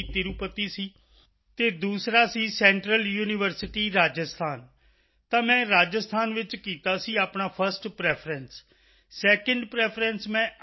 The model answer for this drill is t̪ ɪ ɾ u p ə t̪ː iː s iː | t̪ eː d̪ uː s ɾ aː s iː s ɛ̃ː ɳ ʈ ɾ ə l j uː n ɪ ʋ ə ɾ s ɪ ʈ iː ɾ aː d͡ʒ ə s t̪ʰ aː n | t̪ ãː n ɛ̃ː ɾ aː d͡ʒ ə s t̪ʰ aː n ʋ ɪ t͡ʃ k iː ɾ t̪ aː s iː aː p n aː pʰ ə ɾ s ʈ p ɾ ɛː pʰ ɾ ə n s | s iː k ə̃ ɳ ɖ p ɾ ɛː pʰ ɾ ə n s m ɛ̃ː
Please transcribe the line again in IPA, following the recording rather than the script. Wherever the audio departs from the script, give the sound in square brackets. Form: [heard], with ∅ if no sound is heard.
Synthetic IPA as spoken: t̪ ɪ ɾ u p ə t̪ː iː s iː | t̪ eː d̪ uː s ɾ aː s iː s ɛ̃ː ɳ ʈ ɾ ə l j uː n ɪ ʋ ə ɾ s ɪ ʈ iː ɾ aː d͡ʒ ə s t̪ʰ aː n | t̪ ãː [m] ɛ̃ː ɾ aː d͡ʒ ə s t̪ʰ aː n ʋ ɪ t͡ʃ k iː [∅] t̪ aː s iː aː p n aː pʰ ə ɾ s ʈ p ɾ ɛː pʰ ɾ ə n s | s [ɛː] k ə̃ ɳ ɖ p ɾ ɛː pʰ ɾ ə n s m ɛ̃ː